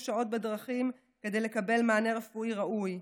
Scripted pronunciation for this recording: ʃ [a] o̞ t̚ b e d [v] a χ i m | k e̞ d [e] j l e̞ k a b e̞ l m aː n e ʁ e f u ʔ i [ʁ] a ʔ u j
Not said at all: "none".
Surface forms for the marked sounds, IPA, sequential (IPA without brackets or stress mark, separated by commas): a, ʁ, e, ʁ